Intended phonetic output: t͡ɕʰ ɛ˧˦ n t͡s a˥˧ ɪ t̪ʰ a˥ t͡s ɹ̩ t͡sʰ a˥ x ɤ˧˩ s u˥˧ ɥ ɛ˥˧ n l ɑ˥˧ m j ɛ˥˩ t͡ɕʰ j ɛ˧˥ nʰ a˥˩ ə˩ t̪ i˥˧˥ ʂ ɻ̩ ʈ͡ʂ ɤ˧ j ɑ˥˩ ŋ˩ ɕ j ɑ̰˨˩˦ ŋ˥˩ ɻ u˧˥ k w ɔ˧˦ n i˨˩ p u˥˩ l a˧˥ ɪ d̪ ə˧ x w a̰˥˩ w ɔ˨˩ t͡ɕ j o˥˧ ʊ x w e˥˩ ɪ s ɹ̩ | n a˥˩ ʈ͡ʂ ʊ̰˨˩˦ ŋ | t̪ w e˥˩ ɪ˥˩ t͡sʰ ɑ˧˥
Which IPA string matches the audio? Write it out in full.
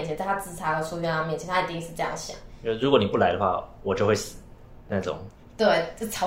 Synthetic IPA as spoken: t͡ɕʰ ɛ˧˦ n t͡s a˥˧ ɪ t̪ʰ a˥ t͡s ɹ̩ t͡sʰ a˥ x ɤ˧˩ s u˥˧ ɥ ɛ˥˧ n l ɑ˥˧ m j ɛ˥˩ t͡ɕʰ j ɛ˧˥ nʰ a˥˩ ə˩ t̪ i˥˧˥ ʂ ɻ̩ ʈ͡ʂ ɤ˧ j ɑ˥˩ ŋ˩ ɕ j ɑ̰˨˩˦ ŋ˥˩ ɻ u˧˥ k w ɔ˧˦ n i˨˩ p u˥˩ l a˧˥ ɪ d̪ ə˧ x w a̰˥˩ w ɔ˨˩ t͡ɕ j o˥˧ ʊ x w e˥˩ ɪ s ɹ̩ | n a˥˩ ʈ͡ʂ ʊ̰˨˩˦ ŋ | t̪ w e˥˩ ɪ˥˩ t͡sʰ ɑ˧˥